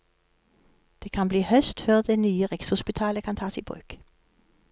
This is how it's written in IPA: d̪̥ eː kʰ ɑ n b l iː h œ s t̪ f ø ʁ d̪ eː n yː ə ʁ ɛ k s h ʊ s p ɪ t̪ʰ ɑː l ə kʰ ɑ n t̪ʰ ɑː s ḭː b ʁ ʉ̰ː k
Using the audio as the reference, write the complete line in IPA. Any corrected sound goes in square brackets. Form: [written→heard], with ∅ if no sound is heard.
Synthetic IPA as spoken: d̪̥ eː kʰ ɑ n b l iː h œ s t̪ f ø ʁ d̪ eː n yː ə ʁ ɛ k s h ʊ s p ɪ t̪ʰ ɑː l ə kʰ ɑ n t̪ʰ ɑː s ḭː b ʁ ʉ̰ː k